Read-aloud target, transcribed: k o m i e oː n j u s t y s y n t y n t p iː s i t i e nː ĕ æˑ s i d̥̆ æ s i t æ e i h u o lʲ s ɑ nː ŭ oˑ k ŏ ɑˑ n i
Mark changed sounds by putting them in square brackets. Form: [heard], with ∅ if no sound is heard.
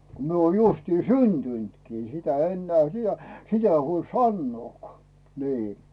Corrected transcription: k o m i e oː n j u s t [i] s y n t y n t [k] iː s i t [æ] e nː ĕ æˑ s i d̥̆ æ s i t æ e i h u o lʲ s ɑ nː ŭ oˑ k ŏ ɑˑ n [iː]